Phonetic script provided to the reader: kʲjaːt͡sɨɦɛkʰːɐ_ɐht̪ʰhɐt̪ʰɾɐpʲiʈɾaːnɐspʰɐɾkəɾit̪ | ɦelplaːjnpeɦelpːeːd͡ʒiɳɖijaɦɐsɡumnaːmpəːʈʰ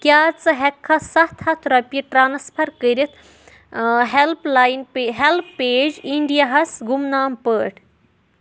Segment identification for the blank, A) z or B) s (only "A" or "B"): B